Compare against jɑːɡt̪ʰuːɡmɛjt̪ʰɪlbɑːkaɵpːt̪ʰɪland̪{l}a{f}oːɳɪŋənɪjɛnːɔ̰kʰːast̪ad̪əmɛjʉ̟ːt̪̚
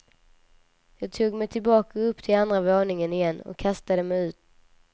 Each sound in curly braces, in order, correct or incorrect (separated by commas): incorrect, incorrect